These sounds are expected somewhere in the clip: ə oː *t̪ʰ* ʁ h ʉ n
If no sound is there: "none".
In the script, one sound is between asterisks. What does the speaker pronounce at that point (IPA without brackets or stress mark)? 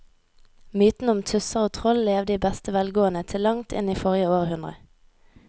none